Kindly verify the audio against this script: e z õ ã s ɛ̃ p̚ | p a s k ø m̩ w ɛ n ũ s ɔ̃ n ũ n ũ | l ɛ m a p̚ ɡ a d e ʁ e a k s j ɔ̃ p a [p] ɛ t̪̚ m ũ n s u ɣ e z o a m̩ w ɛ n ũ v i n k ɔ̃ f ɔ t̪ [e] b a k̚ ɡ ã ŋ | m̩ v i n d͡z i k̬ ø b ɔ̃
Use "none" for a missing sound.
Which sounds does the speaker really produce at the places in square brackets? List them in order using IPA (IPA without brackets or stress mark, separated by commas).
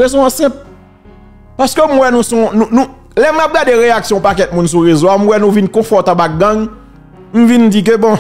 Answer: k, a